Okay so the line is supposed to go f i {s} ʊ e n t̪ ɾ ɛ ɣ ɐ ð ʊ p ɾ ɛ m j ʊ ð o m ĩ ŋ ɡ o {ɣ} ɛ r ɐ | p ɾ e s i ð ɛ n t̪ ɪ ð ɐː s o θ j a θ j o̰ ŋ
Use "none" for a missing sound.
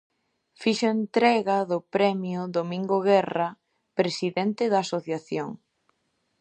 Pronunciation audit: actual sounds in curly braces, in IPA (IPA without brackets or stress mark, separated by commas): ʃ, ɣ